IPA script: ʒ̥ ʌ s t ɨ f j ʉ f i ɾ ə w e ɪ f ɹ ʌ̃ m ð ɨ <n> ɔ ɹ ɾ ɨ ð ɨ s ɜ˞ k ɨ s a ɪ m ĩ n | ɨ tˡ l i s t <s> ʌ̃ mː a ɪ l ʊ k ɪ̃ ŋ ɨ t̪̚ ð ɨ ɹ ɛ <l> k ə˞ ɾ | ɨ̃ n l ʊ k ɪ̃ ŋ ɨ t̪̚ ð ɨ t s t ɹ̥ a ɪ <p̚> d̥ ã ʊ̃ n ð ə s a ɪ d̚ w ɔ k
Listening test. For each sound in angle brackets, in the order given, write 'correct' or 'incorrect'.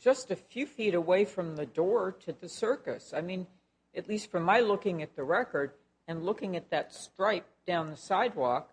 incorrect, incorrect, incorrect, correct

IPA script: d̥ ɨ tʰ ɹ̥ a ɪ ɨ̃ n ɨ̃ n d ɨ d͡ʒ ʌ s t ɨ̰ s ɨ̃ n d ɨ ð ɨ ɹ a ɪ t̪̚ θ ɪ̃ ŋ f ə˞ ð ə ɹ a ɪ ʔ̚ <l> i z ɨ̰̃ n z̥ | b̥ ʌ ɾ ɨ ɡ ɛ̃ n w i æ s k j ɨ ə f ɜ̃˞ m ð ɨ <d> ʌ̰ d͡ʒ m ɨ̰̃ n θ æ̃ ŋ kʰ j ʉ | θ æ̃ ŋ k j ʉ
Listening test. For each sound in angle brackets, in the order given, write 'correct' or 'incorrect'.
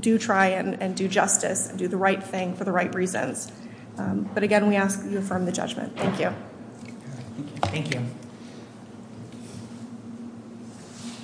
incorrect, incorrect

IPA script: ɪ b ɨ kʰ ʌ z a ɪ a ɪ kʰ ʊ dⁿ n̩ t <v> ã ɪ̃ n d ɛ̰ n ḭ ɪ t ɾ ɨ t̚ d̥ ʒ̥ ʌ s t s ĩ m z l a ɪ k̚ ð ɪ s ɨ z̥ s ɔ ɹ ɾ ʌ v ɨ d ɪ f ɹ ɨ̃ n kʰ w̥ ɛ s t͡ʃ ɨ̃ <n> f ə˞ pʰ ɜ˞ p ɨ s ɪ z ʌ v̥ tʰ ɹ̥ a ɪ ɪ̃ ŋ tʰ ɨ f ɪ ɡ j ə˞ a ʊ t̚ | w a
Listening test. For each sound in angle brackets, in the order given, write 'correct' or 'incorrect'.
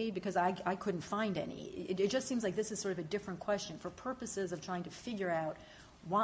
incorrect, correct

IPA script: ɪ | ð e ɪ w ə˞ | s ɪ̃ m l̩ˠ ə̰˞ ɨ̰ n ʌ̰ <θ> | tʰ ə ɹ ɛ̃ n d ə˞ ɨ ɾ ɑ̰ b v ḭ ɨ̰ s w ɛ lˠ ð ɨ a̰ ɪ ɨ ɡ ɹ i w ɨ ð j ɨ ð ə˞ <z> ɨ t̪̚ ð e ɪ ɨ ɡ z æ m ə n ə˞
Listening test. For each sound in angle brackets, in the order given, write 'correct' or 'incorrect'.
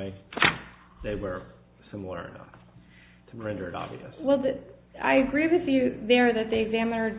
incorrect, incorrect

